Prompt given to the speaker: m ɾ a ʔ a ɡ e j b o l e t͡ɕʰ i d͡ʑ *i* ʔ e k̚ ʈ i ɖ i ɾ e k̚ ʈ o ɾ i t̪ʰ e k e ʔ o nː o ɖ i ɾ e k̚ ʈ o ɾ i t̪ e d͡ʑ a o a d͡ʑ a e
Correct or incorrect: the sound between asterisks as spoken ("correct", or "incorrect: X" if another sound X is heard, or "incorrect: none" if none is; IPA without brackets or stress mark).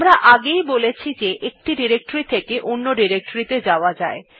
incorrect: e